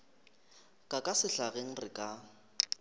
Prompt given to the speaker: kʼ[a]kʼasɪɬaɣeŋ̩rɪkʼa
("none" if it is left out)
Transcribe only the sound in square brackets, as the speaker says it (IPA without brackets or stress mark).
a